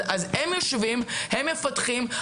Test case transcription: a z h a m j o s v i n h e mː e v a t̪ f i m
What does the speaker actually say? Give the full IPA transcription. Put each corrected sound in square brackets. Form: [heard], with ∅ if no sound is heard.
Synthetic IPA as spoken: a z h [e] m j o [ʃ] v i [m] h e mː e [f] a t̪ [χ] i m